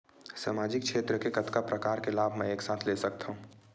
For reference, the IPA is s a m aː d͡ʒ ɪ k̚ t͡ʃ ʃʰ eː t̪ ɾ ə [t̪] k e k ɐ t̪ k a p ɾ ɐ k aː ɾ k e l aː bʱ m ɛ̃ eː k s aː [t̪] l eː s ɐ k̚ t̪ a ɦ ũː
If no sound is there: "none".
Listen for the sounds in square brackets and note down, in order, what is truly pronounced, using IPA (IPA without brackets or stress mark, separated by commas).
none, t̪ʰ